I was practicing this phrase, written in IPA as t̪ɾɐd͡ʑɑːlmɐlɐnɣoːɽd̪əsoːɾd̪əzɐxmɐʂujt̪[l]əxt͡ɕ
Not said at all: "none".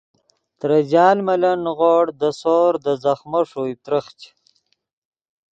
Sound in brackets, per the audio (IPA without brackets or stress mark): ɾ